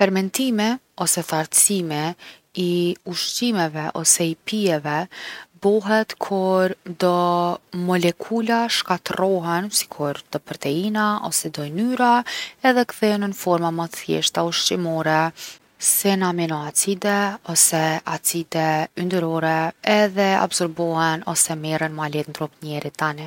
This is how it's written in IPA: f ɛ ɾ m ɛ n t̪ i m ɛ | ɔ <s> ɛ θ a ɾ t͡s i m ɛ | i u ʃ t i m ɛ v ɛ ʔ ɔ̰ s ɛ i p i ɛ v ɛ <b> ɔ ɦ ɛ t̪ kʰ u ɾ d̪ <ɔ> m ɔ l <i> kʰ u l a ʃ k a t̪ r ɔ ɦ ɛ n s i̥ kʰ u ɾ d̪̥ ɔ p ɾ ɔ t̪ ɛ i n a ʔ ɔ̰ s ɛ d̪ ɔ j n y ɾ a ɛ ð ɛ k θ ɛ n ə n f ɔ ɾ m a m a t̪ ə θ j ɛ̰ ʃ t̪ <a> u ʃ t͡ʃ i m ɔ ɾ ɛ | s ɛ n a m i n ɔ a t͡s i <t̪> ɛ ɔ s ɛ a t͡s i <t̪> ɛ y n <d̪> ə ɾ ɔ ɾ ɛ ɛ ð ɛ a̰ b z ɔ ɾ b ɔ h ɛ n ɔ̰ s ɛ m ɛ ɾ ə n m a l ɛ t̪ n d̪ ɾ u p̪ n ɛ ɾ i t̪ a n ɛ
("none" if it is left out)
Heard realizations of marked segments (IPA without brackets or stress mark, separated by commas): s, b, ɔ, ɛ, a, d̪, d̪, d̪